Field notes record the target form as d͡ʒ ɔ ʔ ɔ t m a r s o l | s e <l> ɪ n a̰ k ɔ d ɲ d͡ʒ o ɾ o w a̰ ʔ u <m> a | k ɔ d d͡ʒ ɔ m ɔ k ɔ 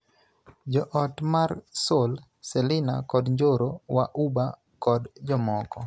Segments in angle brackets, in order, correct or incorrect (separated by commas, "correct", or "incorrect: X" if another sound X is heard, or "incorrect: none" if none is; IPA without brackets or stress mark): correct, incorrect: b